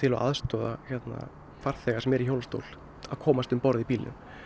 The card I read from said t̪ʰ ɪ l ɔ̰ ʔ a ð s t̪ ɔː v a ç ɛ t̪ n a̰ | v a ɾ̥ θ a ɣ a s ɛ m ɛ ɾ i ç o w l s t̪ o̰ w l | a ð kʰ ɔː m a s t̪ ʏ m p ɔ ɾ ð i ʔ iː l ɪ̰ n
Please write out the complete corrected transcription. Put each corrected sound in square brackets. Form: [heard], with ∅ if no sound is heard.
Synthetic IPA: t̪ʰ ɪ l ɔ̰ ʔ a ð s t̪ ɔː [ð] a ç ɛ t̪ n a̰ | [f] a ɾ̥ θ [ɛ] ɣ a s ɛ m ɛ ɾ i ç o w l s t̪ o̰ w l | a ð kʰ ɔː m a s t̪ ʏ m p ɔ ɾ ð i [p] iː l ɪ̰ n